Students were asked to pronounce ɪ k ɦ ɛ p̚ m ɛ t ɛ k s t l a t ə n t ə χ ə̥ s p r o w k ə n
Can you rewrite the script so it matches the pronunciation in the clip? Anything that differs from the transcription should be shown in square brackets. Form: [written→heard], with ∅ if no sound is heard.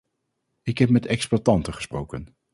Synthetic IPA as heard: ɪ k ɦ ɛ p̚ m ɛ t ɛ k s [t→p] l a t [ə→ɑ] n t ə χ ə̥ s p r o w k ə n